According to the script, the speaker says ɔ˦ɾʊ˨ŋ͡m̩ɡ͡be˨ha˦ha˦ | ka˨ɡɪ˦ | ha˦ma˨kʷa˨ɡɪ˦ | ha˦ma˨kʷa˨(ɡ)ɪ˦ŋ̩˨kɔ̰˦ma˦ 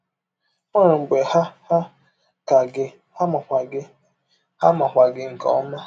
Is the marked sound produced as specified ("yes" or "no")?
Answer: yes